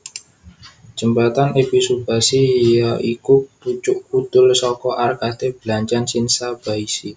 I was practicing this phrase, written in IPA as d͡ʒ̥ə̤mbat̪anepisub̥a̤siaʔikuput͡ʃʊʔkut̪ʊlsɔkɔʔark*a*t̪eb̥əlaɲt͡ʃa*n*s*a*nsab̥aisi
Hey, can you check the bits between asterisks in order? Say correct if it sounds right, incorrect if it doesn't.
correct, correct, incorrect: i

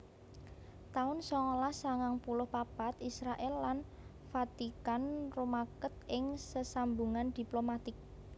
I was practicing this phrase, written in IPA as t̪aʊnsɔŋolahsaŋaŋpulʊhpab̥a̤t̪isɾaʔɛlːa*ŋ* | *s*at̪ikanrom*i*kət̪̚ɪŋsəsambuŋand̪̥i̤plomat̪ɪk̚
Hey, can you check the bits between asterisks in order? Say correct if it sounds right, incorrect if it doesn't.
incorrect: n, incorrect: f, incorrect: a

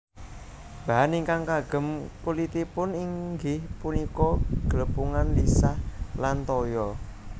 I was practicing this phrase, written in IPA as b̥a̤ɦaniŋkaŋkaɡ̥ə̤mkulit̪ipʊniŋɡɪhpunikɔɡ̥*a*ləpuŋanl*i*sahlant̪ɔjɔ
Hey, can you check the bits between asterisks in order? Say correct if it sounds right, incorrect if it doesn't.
incorrect: ə, correct

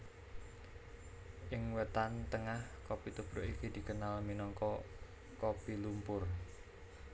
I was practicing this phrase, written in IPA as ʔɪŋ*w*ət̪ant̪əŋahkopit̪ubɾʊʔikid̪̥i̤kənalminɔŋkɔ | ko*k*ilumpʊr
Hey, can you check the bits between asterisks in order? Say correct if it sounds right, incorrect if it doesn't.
correct, incorrect: p

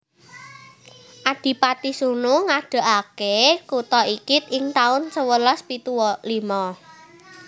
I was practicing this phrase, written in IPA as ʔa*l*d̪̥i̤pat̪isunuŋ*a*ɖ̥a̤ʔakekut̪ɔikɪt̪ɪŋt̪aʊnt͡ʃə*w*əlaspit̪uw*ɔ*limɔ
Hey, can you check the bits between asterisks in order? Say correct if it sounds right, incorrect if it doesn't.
incorrect: none, correct, correct, correct

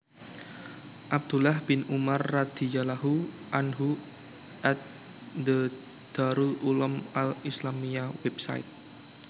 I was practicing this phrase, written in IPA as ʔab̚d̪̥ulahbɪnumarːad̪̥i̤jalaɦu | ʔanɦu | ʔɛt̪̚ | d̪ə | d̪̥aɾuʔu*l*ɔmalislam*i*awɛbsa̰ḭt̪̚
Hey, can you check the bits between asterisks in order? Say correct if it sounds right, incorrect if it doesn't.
correct, correct

